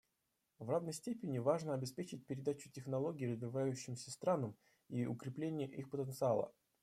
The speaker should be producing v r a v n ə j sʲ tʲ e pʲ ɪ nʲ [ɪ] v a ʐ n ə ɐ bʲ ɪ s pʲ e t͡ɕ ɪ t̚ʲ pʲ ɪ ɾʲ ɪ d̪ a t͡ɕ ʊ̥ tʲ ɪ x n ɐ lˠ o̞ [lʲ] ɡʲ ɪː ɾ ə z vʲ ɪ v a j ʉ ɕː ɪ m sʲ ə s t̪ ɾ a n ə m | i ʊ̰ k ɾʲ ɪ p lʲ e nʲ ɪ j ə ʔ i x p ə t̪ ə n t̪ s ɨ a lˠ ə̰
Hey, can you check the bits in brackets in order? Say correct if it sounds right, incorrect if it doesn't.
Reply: correct, incorrect: none

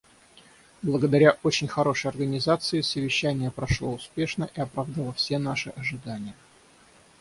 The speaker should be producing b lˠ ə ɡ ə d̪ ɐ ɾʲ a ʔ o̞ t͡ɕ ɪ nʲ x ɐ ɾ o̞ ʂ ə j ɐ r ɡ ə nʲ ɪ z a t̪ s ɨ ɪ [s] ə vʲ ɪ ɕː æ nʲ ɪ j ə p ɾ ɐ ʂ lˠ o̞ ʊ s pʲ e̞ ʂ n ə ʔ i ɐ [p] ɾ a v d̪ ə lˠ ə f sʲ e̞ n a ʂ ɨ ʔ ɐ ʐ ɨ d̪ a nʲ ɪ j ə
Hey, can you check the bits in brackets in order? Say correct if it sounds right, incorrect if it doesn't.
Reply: correct, correct

